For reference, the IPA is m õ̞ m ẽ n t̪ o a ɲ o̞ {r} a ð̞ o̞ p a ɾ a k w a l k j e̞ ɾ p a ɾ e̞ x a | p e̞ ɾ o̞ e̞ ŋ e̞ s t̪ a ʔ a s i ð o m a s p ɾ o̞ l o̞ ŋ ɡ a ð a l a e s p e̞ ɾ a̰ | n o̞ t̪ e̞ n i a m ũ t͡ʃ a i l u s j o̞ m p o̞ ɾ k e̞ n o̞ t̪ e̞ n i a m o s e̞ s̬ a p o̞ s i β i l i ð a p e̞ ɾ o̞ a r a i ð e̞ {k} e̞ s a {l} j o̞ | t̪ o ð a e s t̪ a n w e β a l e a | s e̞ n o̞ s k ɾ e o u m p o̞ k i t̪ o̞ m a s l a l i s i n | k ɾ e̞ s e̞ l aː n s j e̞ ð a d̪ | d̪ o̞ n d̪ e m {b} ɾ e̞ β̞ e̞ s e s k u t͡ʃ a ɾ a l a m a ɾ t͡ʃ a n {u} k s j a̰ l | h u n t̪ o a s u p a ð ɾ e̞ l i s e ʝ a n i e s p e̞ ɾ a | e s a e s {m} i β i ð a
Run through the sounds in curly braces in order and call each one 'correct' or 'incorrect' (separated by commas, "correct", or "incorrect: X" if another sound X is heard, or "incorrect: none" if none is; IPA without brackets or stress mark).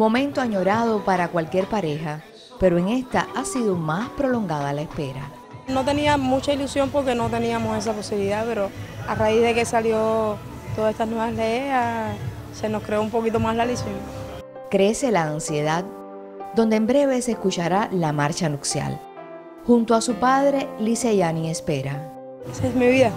incorrect: ɾ, correct, correct, correct, correct, correct